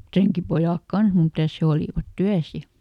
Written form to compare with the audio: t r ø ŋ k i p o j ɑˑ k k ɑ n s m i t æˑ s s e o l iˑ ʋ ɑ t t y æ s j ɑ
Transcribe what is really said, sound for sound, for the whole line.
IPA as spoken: t r e ŋ k i p o j ɑˑ k k ɑ n s m i t æˑ s h e o l iˑ ʋ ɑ t t y æ s j ɑ